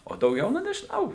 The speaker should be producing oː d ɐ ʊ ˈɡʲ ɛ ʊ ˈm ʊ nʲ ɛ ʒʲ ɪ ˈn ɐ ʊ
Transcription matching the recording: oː d ɐ ʊ ˈɡʲ ɛ ʊ ˈn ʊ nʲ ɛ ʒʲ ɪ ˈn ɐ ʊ